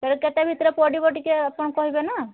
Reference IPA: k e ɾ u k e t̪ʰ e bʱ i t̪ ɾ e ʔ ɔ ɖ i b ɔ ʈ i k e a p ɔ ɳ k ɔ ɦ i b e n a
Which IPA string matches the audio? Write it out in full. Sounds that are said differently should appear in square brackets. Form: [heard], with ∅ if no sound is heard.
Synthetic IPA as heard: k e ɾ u k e [t̪] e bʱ i t̪ ɾ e [p] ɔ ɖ i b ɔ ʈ i k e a p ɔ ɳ k ɔ ɦ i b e n a